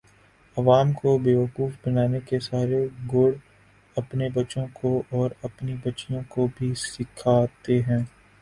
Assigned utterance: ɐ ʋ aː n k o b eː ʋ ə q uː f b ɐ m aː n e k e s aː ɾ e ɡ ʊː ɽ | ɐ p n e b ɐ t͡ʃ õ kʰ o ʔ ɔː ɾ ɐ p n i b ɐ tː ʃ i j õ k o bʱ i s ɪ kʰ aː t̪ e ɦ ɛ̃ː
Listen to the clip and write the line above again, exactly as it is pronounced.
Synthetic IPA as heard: ɐ ʋ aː m k o b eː ʋ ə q uː f b ɐ n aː n e k e s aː ɾ e ɡ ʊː ɽ | ɐ p n e b ɐ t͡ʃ õ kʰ o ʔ ɔː ɾ ɐ p n i b ɐ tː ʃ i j õ k o bʱ i s ɪ kʰ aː t̪ e ɦ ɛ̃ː